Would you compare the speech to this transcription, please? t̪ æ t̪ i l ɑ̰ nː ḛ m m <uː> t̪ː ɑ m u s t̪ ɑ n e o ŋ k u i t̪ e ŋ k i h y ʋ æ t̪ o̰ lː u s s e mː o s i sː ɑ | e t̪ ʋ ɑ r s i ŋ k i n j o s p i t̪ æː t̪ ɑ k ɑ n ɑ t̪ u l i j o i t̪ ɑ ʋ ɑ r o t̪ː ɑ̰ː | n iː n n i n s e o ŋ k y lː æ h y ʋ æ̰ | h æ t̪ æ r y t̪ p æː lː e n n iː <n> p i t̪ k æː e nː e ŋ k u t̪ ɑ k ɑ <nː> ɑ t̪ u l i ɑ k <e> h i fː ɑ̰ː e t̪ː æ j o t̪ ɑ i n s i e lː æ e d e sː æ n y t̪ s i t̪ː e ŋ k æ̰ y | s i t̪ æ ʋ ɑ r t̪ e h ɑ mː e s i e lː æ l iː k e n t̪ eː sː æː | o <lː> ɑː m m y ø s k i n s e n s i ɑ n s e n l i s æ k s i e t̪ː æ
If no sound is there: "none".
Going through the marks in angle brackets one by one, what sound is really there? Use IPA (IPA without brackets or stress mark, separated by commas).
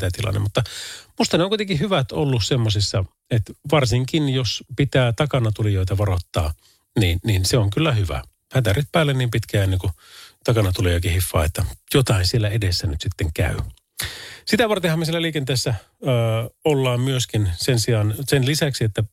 u, m, n, i, lː